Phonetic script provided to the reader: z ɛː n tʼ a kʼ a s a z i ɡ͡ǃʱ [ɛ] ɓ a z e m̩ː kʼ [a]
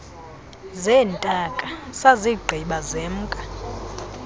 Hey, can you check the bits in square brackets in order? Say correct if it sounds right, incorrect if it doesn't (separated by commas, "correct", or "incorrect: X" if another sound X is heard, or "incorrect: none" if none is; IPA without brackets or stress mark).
incorrect: i, correct